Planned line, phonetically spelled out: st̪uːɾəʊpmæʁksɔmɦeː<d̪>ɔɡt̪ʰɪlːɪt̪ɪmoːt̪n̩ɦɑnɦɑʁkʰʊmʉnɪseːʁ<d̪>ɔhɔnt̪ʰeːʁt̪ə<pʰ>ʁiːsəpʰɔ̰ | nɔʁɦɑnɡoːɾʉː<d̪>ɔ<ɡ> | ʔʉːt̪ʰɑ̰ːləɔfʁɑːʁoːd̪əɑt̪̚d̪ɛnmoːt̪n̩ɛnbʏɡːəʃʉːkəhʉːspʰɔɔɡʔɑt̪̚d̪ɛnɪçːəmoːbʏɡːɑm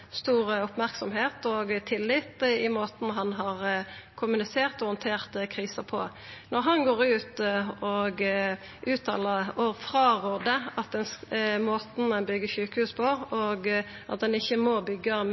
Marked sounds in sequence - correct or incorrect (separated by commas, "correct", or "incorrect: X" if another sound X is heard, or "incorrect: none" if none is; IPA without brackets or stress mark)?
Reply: incorrect: t̪, incorrect: t̪, incorrect: kʰ, incorrect: t̪, correct